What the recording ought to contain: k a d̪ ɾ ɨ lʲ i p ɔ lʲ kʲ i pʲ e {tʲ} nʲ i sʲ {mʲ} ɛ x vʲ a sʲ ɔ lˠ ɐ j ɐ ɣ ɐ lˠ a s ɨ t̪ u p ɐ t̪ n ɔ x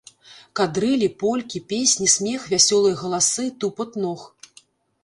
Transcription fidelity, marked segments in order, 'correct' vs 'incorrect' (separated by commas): incorrect, correct